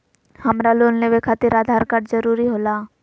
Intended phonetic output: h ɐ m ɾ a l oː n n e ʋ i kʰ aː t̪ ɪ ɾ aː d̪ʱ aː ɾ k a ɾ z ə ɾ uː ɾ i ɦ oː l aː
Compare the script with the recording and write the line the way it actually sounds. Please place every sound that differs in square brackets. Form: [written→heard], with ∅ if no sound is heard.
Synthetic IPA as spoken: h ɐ m ɾ a l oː n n e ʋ [i→e] kʰ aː t̪ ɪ ɾ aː d̪ʱ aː ɾ k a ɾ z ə ɾ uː ɾ i ɦ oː l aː